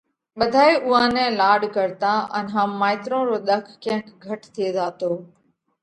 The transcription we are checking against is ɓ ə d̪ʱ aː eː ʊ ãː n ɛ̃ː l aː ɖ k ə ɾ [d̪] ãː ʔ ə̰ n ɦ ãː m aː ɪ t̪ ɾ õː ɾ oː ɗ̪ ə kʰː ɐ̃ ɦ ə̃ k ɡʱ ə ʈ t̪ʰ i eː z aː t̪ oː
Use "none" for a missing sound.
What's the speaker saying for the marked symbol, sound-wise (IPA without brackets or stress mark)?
t̪